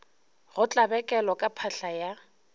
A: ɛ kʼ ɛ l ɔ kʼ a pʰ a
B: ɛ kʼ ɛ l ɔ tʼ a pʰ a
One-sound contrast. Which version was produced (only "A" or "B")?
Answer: A